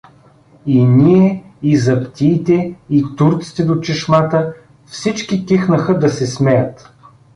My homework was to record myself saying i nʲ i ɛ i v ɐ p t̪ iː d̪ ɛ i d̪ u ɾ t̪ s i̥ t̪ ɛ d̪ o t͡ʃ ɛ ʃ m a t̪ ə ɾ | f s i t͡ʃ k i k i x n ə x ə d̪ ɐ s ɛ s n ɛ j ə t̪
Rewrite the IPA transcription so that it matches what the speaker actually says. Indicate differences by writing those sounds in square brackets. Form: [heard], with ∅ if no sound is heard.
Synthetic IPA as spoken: i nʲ i ɛ i [z] ɐ p t̪ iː [t̪] ɛ i [t̪] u ɾ t̪ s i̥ t̪ ɛ d̪ o t͡ʃ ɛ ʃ m a t̪ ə [∅] | f s i t͡ʃ k i k i x n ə x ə d̪ ɐ s ɛ s [m] ɛ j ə t̪